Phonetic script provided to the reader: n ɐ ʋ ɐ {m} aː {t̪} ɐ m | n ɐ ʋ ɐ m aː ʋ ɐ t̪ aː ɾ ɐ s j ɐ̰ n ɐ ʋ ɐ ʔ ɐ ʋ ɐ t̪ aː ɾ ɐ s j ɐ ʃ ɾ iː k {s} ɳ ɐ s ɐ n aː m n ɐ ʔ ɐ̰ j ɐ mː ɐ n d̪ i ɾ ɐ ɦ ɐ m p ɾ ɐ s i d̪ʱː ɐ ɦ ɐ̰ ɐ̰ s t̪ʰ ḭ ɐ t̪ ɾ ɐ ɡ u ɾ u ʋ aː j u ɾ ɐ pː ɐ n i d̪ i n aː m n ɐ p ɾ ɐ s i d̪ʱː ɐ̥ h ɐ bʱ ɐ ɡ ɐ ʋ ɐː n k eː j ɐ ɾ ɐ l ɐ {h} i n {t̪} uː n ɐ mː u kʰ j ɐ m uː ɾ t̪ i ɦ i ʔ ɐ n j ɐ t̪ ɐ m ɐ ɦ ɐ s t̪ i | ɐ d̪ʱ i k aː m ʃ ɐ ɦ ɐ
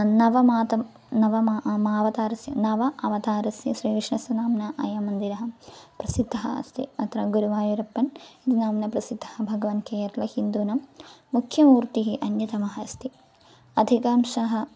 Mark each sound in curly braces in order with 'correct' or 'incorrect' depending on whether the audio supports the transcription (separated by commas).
correct, correct, incorrect, correct, incorrect